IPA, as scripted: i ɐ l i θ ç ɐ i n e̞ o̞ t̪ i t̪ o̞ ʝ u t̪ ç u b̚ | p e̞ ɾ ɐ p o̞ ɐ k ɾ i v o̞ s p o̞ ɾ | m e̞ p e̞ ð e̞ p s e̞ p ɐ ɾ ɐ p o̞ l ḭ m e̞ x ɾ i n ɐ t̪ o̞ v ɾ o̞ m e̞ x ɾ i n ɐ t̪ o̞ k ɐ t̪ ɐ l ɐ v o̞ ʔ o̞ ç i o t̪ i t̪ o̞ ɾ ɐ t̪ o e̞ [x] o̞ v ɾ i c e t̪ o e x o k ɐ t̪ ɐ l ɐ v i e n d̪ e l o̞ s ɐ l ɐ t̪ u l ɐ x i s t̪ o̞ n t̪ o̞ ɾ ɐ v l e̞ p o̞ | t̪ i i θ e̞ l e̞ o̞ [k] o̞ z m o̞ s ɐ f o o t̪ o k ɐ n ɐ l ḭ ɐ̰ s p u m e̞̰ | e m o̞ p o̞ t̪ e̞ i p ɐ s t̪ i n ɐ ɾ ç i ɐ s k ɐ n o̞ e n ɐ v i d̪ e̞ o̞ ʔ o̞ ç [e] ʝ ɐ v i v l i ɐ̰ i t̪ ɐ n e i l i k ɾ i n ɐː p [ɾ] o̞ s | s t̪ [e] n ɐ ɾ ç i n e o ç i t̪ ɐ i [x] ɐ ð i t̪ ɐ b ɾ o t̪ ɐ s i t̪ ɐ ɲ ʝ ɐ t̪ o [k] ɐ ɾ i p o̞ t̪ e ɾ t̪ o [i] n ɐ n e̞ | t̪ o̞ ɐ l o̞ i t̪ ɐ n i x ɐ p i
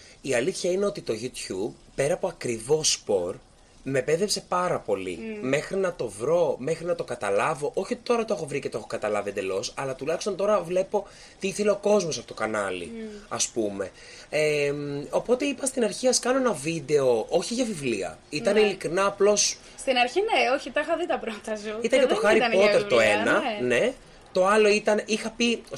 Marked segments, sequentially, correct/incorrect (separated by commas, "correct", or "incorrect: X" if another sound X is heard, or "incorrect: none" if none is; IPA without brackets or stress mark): correct, correct, incorrect: i, incorrect: l, incorrect: i, correct, incorrect: x, incorrect: e